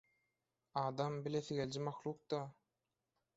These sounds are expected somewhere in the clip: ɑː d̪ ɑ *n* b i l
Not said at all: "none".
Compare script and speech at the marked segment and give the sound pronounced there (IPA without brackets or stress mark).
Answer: m